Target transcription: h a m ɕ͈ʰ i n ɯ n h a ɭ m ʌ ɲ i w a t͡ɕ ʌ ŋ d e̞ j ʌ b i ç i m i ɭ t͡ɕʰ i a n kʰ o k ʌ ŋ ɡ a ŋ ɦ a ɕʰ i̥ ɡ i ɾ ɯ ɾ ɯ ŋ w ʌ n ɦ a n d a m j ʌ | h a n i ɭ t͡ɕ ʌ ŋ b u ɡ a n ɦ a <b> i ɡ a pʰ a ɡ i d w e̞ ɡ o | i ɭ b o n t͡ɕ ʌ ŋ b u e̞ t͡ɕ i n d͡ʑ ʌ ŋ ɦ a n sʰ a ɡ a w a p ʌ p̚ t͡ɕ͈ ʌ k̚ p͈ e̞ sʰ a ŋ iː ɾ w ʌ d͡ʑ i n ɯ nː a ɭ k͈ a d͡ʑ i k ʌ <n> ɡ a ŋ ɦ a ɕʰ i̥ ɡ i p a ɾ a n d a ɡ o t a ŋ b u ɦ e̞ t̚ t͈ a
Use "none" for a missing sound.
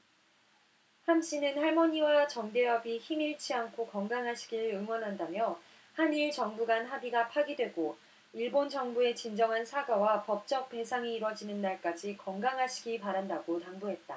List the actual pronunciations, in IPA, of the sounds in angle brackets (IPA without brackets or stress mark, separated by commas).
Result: b, ŋ